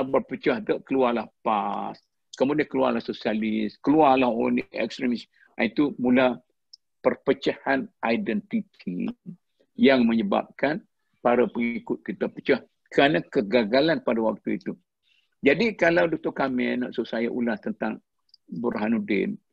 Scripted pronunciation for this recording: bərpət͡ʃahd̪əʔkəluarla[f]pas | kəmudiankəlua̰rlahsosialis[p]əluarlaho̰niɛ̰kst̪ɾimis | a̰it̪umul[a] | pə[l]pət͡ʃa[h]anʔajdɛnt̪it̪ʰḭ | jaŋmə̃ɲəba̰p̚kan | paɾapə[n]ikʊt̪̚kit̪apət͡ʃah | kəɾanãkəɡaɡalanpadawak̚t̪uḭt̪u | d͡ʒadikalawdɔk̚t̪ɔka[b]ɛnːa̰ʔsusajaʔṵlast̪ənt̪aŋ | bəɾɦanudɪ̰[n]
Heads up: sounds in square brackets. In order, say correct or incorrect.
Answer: incorrect: h, incorrect: k, correct, incorrect: r, correct, incorrect: ŋ, incorrect: m, correct

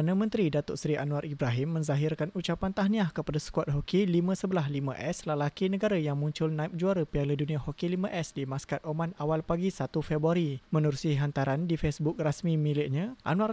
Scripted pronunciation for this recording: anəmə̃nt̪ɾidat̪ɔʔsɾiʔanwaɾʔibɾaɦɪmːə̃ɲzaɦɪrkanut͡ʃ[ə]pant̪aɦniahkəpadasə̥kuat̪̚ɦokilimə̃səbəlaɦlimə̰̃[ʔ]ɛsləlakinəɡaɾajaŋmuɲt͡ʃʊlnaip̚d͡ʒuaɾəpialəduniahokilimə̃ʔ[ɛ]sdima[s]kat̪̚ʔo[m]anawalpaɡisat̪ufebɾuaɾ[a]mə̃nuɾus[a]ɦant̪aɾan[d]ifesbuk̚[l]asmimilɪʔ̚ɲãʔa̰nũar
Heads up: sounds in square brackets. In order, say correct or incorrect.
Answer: incorrect: a, correct, correct, correct, correct, incorrect: i, incorrect: i, correct, incorrect: r

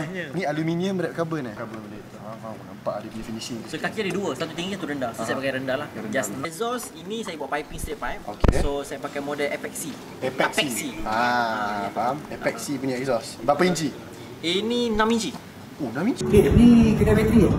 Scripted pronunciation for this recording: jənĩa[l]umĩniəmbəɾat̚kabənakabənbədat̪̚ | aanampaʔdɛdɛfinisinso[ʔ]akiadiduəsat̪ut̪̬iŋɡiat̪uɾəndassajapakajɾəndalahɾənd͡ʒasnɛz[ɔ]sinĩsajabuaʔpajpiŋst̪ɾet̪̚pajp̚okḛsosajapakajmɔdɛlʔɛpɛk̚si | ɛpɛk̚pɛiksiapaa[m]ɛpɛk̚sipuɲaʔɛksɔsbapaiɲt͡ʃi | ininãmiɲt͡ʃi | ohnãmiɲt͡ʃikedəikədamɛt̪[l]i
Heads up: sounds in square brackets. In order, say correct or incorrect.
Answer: correct, incorrect: k, correct, correct, incorrect: ɾ

